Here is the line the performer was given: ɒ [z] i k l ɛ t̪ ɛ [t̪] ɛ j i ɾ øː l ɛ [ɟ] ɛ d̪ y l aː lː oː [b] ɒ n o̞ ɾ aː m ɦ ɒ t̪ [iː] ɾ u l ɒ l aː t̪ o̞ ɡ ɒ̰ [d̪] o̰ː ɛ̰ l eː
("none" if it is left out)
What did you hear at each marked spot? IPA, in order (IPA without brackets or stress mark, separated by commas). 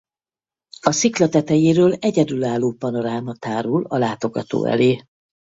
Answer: s, t̪, ɟ, p, aː, t̪